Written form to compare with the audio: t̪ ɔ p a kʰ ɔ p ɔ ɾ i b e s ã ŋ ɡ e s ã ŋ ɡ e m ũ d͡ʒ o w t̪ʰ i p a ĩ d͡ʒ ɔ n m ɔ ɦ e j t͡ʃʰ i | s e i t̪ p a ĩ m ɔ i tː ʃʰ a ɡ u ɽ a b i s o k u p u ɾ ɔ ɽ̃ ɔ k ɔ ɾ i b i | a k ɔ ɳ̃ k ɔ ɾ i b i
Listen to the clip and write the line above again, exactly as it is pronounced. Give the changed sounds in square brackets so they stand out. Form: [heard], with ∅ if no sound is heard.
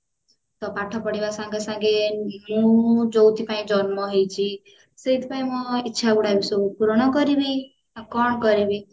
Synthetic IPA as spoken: t̪ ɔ p a [ʈʰ] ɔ p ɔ [ɽ] i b [a] s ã ŋ ɡ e s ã ŋ ɡ e m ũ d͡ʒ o w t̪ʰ i p a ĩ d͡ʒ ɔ n m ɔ ɦ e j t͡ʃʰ i | s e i t̪ p a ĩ m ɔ i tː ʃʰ a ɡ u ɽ a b i s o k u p u ɾ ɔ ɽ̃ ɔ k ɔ ɾ i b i | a k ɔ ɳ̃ k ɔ ɾ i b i

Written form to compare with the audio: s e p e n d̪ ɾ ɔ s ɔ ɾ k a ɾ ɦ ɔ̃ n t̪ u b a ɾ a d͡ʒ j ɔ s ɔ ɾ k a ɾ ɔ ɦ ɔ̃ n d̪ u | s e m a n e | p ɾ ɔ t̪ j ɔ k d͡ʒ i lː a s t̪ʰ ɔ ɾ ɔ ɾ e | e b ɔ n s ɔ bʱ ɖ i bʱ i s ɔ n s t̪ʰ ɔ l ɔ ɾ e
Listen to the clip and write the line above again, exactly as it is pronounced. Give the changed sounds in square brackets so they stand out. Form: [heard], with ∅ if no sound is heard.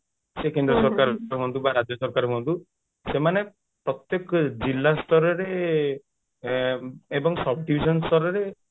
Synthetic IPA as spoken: s e [k] e n d̪ ɾ ɔ s ɔ ɾ k a ɾ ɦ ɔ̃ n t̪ u b a ɾ a d͡ʒ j ɔ s ɔ ɾ k a ɾ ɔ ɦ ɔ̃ n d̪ u | s e m a n e | p ɾ ɔ t̪ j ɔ k d͡ʒ i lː a s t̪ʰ ɔ ɾ ɔ ɾ e | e b ɔ [ŋ] s ɔ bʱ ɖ i bʱ i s ɔ n s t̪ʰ ɔ [ɾ] ɔ ɾ e

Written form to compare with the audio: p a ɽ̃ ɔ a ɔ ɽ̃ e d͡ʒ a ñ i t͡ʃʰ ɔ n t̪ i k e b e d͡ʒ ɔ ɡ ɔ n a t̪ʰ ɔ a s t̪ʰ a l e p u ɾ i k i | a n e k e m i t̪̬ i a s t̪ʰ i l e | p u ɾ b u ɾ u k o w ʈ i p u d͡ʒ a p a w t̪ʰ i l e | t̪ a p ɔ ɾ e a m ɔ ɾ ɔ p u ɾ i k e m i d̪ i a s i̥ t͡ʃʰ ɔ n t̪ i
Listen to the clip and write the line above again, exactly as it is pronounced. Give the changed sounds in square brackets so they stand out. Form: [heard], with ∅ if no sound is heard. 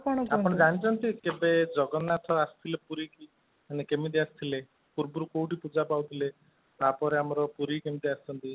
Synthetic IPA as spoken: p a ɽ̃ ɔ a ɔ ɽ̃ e d͡ʒ a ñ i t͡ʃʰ ɔ n t̪ i k e b e d͡ʒ ɔ ɡ ɔ n a t̪ʰ ɔ a s t̪ʰ [i] l e p u ɾ i k i | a n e k e m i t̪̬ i a s t̪ʰ i l e | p u ɾ b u ɾ u k o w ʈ i p u d͡ʒ a p a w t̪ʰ i l e | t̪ a p ɔ ɾ e a m ɔ ɾ ɔ p u ɾ i k e m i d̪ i a s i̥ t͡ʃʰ ɔ n t̪ i

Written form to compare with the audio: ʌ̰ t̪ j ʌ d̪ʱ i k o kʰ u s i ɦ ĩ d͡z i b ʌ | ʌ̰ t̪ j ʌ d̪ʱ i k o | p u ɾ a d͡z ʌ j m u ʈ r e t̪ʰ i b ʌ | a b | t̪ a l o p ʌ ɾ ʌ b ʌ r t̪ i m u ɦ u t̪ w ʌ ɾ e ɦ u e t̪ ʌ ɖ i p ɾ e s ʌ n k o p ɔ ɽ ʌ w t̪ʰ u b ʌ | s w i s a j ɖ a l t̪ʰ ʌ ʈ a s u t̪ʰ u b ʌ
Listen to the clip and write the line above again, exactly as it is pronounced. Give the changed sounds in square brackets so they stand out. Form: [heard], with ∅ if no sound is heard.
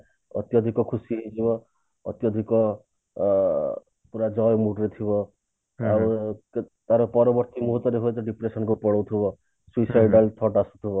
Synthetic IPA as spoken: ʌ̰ t̪ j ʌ d̪ʱ i k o kʰ u s i ɦ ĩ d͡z i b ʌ | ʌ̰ t̪ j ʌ d̪ʱ i k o | p u ɾ a d͡z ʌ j m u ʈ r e t̪ʰ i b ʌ | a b | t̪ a [ɾ] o p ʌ ɾ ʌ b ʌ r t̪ i m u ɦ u t̪ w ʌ ɾ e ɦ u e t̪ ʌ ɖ i p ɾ e s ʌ n k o p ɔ ɽ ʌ w t̪ʰ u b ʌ | s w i s a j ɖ a l t̪ʰ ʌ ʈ a s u t̪ʰ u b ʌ

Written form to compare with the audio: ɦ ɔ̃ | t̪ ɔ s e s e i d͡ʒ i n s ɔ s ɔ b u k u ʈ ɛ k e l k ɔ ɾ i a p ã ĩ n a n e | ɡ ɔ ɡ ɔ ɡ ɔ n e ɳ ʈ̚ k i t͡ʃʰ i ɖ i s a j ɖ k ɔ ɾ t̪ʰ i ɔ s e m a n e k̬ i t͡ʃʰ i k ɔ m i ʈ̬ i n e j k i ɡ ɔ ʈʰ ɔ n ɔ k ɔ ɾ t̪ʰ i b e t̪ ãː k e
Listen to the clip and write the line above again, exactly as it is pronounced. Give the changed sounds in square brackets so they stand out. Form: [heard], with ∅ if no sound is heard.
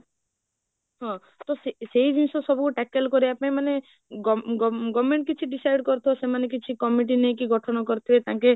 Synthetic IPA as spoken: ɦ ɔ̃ | t̪ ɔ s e s e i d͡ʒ i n s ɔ s ɔ b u k u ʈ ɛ k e l k ɔ ɾ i a p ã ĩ [m] a n e | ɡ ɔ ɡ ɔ ɡ ɔ [m] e ɳ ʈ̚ k i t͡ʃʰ i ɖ i s a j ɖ k ɔ ɾ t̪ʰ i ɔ s e m a n e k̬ i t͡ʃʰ i k ɔ m i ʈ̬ i n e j k i ɡ ɔ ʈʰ ɔ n ɔ k ɔ ɾ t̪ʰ i b e t̪ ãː k e

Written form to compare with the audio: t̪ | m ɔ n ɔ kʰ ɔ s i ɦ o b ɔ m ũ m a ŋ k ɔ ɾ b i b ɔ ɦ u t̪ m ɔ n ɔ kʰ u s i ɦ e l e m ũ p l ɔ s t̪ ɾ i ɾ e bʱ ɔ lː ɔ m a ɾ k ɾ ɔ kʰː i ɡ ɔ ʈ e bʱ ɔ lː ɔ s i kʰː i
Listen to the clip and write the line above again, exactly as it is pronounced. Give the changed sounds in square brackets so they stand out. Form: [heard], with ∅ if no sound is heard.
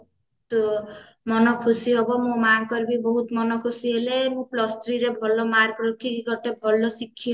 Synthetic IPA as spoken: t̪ | m ɔ n ɔ kʰ [u] s i ɦ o b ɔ m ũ m a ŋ k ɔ ɾ b i b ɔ ɦ u t̪ m ɔ n ɔ kʰ u s i ɦ e l e m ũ p l ɔ s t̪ ɾ i ɾ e bʱ ɔ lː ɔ m a ɾ k ɾ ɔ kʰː i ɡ ɔ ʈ e bʱ ɔ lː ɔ s i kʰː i

